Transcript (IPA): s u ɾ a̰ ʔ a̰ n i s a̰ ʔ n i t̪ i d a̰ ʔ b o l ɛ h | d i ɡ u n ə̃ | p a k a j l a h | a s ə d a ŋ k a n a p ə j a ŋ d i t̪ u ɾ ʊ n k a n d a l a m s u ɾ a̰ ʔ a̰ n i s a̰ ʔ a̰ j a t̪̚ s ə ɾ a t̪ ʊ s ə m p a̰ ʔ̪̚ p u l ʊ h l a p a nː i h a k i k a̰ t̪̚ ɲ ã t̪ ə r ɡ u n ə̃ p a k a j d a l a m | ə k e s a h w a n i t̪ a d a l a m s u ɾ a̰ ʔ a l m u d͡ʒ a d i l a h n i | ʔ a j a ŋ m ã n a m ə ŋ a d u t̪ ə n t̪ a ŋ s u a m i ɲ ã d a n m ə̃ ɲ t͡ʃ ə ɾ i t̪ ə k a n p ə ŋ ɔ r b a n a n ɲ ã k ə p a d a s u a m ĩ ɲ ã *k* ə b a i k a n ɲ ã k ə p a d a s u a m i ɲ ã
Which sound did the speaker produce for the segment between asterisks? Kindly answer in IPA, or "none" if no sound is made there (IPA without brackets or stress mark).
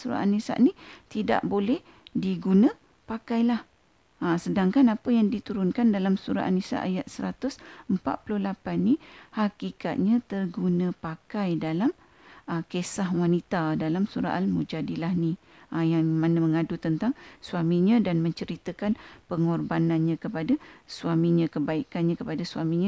k